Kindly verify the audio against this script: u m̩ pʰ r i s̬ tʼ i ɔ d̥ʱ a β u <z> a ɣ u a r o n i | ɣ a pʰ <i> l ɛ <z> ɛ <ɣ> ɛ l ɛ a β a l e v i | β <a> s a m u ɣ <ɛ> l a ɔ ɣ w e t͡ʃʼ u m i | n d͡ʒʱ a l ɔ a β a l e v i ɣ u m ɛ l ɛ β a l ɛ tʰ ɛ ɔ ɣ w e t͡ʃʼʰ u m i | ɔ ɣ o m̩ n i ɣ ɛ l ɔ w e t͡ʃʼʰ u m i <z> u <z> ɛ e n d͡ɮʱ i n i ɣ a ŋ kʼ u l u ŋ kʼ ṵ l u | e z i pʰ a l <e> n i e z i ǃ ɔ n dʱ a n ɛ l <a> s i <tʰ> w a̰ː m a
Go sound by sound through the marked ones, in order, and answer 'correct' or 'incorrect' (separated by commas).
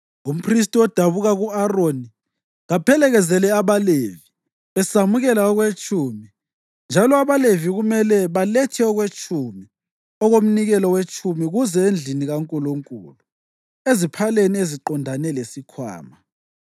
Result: incorrect, incorrect, incorrect, incorrect, incorrect, correct, incorrect, correct, correct, incorrect, incorrect